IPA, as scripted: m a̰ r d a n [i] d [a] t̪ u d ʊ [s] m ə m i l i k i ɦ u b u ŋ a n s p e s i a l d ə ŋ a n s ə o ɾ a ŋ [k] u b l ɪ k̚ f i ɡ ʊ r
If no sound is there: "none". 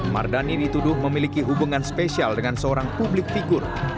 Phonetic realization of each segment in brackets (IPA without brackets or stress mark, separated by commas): i, i, h, p